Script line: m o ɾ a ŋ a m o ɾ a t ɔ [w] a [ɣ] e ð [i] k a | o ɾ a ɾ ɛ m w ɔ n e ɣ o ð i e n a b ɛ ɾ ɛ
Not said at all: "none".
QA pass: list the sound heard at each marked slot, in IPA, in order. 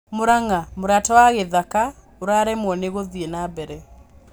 w, ɣ, a

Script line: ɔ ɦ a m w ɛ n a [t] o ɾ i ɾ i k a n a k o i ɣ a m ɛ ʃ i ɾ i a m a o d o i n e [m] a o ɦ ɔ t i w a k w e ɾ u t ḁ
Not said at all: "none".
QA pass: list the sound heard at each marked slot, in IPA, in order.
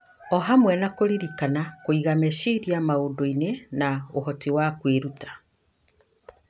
k, n

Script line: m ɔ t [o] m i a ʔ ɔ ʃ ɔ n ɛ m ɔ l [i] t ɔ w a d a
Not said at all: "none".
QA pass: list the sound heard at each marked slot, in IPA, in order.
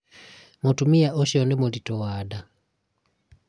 u, i

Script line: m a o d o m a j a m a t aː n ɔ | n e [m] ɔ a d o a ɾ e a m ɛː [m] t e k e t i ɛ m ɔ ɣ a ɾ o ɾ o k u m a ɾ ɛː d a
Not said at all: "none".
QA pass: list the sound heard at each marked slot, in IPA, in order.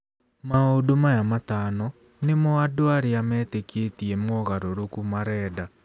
m, none

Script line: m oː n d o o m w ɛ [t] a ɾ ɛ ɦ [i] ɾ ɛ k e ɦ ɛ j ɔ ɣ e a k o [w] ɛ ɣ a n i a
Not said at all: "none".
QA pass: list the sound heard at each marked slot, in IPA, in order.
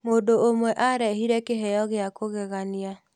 ʔ, i, ɣ

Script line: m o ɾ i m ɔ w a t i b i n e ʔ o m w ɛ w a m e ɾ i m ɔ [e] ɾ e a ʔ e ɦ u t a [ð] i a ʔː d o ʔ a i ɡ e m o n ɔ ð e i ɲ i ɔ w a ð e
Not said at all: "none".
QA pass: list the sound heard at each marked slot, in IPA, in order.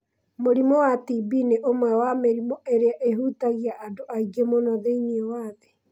e, ɣ

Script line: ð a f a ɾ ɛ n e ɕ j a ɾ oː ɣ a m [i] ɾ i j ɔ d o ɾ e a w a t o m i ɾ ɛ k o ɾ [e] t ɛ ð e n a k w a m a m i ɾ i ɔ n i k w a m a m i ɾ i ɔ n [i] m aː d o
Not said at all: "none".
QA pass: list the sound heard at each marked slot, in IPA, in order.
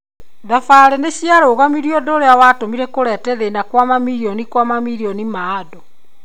i, ɛ, i

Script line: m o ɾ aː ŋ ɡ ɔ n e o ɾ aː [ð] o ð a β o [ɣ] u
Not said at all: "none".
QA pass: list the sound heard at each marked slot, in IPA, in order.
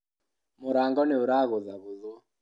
ɣ, ð

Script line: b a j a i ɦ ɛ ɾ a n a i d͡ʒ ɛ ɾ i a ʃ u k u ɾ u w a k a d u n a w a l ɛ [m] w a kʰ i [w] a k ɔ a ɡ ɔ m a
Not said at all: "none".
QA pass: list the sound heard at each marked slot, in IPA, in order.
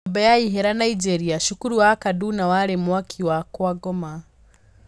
m, w

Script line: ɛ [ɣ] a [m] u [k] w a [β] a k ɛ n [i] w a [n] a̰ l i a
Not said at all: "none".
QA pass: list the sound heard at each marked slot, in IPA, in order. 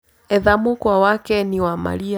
ð, m, k, w, i, m

